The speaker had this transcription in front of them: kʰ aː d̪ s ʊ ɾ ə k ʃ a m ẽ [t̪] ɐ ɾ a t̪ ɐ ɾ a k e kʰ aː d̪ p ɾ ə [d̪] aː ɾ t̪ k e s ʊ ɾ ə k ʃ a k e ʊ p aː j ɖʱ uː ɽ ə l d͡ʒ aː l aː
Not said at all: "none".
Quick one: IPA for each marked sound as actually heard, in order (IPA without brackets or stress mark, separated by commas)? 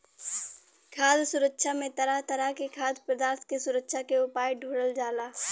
t̪, d̪